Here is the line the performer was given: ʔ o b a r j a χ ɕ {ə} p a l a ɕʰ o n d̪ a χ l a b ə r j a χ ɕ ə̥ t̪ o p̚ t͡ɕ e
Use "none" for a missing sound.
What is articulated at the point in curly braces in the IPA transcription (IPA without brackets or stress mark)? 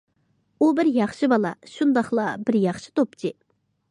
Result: ə